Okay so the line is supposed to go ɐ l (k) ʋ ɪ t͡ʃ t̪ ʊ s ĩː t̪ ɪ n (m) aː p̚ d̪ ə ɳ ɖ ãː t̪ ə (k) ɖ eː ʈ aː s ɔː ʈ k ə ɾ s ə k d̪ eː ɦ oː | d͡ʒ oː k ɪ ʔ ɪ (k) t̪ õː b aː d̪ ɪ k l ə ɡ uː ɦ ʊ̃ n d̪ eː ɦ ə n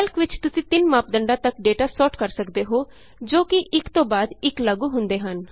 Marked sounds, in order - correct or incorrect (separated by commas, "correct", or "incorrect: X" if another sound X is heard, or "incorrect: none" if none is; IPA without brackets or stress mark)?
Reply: correct, correct, correct, correct